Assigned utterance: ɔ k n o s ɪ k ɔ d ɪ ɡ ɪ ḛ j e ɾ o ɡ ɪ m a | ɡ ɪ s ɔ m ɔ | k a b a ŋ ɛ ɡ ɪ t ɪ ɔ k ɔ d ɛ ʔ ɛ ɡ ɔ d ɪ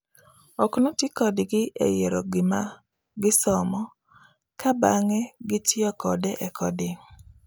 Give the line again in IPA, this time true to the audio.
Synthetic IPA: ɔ k n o t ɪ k ɔ d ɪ ɡ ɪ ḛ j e ɾ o ɡ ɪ m a | ɡ ɪ s ɔ m ɔ | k a b a ŋ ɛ ɡ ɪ t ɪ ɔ k ɔ d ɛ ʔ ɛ k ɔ d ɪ